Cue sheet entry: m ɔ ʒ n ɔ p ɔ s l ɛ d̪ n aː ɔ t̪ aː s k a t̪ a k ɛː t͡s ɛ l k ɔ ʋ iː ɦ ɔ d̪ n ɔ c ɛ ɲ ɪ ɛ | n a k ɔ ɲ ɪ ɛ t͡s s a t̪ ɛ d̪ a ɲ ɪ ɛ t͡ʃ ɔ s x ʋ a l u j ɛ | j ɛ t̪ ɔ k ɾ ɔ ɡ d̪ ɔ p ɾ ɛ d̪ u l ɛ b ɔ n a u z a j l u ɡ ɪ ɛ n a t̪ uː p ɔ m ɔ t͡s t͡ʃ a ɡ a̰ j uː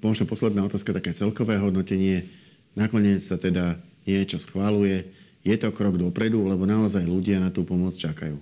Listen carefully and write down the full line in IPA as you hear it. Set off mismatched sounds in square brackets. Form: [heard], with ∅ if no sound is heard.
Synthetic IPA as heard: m ɔ ʒ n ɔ p ɔ s l ɛ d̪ n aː ɔ t̪ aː s k a t̪ a k ɛː t͡s ɛ l k ɔ ʋ [ɛː] ɦ ɔ d̪ n ɔ c ɛ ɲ ɪ ɛ | n a k ɔ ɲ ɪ ɛ t͡s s a t̪ ɛ d̪ a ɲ ɪ ɛ t͡ʃ ɔ s x ʋ a l u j ɛ | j ɛ t̪ ɔ k ɾ ɔ ɡ d̪ ɔ p ɾ ɛ d̪ u l ɛ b ɔ n a [ɔ] z a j l u [ɟ] ɪ [a] n a t̪ uː p ɔ m ɔ t͡s t͡ʃ a [k] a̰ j uː